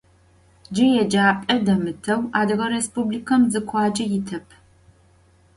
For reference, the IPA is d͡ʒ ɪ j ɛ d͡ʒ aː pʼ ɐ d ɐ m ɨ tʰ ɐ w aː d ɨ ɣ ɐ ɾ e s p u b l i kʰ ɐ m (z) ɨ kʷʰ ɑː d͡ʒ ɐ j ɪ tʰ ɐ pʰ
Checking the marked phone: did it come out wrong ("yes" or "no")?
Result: no